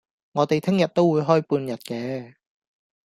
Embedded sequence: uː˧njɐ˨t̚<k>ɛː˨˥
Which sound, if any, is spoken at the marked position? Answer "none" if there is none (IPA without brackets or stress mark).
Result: k